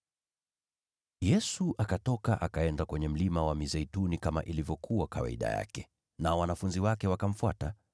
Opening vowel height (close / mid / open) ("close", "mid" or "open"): mid